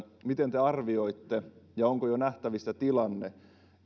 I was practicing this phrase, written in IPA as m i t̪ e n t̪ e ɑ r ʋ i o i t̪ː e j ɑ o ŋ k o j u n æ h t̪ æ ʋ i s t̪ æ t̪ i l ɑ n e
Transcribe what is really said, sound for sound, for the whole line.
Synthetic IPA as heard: m i t̪ e n t̪ e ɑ r ʋ i o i t̪ː e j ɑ o ŋ k o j o n æ h t̪ æ ʋ i s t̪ æ t̪ i l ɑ nː e